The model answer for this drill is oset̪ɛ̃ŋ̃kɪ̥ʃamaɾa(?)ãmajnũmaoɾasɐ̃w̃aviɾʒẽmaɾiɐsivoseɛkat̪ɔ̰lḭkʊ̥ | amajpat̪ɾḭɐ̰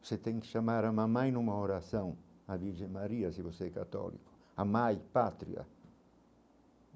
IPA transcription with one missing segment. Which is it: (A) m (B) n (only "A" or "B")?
A